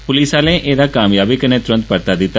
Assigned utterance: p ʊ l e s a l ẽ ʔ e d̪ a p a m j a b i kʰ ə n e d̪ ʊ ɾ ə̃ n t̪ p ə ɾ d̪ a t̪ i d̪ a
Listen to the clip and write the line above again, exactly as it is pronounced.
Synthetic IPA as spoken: p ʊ l i s a l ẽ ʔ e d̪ a k a m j a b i k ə n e t̪ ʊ ɾ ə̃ n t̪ p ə ɾ t̪ a d̪ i t̪ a